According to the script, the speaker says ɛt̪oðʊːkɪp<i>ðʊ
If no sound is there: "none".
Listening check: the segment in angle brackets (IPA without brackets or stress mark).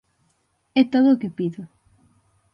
i